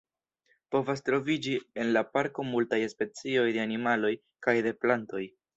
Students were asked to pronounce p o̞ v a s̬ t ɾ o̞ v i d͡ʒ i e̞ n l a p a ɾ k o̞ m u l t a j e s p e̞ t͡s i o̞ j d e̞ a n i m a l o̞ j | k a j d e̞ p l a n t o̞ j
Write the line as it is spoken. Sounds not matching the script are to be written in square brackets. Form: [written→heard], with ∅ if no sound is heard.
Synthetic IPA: p o̞ v a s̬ t ɾ o̞ v i d͡ʒ i e̞ n l a p a ɾ k o̞ m u l t a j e s p e̞ t͡s i o̞ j d e̞ a n i m a l o̞ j | k a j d e̞ p l a n t o̞ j